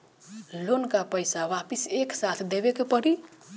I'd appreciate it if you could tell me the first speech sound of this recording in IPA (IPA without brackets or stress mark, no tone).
l